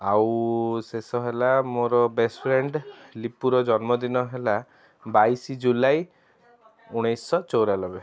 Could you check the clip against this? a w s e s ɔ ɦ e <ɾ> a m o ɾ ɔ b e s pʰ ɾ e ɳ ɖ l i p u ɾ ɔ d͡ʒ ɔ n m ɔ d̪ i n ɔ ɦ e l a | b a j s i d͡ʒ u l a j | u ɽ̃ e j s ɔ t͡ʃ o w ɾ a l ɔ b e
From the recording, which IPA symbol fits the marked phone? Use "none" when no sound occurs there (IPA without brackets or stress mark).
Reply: l